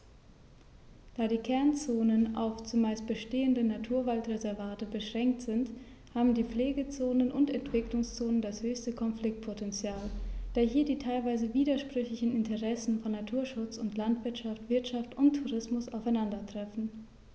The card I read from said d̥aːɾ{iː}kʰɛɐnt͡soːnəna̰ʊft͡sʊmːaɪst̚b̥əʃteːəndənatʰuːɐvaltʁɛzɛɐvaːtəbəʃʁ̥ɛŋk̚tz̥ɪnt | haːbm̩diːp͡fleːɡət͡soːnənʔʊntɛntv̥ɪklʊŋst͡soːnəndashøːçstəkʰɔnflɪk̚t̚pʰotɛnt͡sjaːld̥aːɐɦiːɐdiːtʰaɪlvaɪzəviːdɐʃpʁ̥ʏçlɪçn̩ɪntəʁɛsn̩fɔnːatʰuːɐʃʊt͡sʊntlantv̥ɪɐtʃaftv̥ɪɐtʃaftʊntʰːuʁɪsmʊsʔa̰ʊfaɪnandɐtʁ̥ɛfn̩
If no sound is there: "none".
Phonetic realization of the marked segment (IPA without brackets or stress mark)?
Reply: iː